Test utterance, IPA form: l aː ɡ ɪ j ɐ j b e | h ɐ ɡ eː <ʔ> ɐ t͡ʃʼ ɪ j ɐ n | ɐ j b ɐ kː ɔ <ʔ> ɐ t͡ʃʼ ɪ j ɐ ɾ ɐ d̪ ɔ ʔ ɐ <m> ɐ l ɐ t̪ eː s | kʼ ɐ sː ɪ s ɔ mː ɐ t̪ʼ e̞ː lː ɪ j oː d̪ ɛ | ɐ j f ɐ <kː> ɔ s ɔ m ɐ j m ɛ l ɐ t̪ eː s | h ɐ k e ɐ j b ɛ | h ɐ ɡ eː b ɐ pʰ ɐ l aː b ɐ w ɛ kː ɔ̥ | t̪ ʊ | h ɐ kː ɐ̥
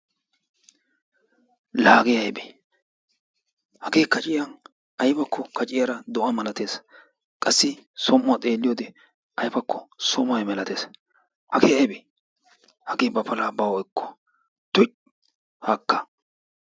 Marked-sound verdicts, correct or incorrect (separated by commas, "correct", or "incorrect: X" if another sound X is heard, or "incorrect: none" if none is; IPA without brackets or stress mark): incorrect: k, incorrect: k, correct, correct